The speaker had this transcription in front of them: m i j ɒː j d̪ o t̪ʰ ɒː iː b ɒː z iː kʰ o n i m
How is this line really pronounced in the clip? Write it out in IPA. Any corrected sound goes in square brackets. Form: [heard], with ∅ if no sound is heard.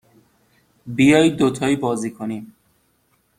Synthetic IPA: [b] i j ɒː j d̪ o t̪ʰ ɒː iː b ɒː z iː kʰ o n i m